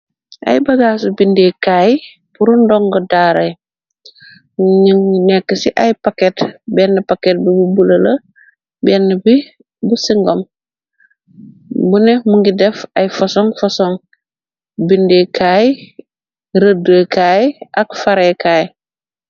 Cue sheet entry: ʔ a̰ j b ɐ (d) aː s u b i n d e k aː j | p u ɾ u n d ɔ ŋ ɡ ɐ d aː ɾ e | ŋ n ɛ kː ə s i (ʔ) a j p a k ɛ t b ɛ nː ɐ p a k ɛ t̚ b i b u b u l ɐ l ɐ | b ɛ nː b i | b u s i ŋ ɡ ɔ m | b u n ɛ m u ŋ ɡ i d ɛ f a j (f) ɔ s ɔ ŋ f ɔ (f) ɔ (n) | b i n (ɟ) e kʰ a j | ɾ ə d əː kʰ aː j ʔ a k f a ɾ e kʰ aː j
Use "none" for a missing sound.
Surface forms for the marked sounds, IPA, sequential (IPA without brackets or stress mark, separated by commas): ɡ, ʔ, f, s, ŋ, d